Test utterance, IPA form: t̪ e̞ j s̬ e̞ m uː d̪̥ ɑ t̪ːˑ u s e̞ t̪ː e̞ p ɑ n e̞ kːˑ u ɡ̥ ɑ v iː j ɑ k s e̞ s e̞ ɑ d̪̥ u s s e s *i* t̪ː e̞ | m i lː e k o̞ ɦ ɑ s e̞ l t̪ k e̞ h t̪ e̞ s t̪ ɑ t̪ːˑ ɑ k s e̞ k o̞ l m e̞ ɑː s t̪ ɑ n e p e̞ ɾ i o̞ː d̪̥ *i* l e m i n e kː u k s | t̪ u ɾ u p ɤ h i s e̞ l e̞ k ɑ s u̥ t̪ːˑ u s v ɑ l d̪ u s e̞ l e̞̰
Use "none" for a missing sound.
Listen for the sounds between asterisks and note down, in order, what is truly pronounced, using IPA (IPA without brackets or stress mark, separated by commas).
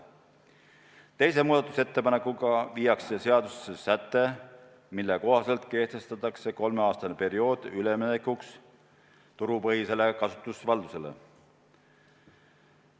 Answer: æ, y